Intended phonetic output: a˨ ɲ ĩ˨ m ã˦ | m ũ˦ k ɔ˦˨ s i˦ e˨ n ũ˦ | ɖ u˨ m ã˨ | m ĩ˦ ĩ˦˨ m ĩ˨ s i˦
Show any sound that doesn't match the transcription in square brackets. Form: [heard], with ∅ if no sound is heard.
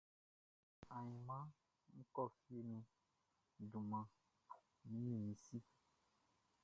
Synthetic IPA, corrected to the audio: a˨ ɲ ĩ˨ m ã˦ | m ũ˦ k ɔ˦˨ [f] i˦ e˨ n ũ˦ | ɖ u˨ m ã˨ | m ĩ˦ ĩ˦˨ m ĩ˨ s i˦